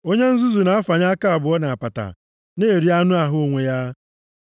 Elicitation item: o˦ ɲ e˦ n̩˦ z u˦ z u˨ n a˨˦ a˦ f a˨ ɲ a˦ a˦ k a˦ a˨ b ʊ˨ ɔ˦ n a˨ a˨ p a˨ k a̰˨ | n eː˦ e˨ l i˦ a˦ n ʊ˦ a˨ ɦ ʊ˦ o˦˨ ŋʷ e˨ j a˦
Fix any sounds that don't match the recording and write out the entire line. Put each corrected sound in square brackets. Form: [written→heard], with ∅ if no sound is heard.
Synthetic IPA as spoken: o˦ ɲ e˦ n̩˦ z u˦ z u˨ n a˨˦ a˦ f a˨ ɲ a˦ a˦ k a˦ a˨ b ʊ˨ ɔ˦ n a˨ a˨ p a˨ [k→t] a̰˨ | n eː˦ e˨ [l→ɾ] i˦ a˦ n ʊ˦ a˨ ɦ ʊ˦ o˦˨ ŋʷ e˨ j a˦